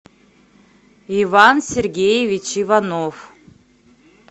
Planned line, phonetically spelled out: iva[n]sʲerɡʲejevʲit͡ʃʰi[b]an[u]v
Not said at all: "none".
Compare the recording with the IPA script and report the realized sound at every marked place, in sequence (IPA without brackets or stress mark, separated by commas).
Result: n, v, o